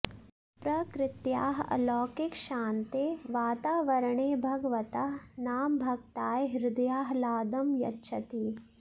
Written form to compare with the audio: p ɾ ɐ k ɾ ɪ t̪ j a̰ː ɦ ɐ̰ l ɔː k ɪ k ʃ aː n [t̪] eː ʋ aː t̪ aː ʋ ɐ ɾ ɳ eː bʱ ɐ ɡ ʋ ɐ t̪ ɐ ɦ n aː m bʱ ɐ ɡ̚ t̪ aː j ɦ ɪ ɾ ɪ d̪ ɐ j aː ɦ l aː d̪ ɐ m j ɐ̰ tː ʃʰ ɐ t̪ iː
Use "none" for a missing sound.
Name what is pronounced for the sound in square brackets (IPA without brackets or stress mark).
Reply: t̪